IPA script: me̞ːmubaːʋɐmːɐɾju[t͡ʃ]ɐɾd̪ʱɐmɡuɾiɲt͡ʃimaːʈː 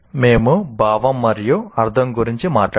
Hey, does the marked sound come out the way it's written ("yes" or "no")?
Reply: no